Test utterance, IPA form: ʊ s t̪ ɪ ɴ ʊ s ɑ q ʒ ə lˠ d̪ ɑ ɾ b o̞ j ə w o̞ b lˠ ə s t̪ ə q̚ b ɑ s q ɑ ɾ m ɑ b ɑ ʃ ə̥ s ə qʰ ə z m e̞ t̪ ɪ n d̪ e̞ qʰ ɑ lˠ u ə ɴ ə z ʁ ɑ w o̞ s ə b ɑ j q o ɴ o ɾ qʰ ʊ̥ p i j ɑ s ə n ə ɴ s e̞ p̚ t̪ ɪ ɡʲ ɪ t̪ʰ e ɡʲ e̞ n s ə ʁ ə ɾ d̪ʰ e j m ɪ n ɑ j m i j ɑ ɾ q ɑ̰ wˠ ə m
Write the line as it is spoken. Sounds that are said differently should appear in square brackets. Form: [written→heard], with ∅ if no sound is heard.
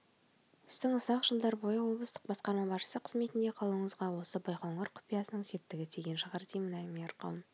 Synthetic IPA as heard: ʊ s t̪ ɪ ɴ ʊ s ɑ q ʒ ə lˠ d̪ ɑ ɾ b o̞ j ə w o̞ b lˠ ə s t̪ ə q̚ b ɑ s q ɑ ɾ m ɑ b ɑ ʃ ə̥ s ə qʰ ə z m e̞ t̪ ɪ n d̪ e̞ qʰ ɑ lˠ u ə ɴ ə z ʁ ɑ w o̞ s ə b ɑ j q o ɴ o ɾ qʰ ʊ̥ p i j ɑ s ə n ə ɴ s e̞ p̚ t̪ ɪ ɡʲ ɪ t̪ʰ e ɡʲ e̞ n [s→ʃ] ə ʁ [ə→ɑ] ɾ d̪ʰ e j m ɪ n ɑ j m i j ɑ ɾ q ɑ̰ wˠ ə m